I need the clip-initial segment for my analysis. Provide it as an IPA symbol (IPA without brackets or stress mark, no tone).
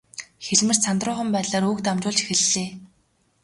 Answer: x